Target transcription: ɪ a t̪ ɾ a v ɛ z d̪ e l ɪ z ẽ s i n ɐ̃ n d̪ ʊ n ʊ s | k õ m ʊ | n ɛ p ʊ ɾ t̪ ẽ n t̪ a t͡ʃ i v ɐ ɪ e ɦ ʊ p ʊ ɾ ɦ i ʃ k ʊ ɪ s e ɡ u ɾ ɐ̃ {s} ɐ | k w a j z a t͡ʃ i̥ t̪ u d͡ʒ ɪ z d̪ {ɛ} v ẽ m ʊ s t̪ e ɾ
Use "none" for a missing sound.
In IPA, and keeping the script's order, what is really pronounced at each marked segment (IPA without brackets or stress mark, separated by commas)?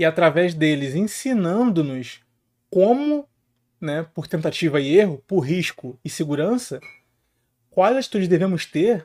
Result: s, e